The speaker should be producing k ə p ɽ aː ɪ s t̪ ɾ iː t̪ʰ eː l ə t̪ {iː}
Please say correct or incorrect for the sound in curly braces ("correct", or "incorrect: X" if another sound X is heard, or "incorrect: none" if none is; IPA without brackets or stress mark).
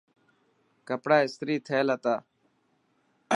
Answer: incorrect: aː